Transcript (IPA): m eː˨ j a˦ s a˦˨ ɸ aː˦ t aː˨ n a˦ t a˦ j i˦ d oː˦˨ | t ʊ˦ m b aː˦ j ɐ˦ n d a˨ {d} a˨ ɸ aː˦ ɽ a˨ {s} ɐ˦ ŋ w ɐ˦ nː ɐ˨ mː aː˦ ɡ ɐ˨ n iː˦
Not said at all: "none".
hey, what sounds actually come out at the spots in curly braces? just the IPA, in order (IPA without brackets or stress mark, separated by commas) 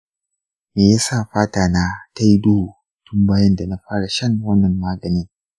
n, ʃ